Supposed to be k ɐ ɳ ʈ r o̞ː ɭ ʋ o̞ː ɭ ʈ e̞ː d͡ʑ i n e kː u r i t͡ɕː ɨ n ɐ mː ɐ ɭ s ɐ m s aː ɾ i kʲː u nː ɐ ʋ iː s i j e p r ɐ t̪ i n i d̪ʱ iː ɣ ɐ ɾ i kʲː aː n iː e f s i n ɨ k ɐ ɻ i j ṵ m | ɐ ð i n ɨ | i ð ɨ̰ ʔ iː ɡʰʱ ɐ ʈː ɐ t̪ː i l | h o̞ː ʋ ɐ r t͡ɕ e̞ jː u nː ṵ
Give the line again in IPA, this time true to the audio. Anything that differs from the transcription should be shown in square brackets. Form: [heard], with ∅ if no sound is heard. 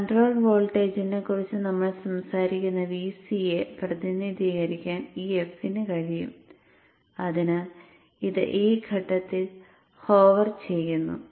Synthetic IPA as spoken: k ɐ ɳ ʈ r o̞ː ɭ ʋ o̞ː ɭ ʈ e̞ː d͡ʑ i n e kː u r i t͡ɕː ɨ n ɐ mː ɐ ɭ s ɐ m s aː ɾ i kʲː u nː ɐ ʋ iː s i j e p r ɐ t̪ i n i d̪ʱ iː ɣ ɐ ɾ i kʲː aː n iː e f s i n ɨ k ɐ ɻ i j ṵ m | ɐ ð i n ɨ | i ð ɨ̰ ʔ iː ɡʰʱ ɐ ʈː ɐ t̪ː i l | h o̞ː ʋ ɐ r t͡ɕ e̞ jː u nː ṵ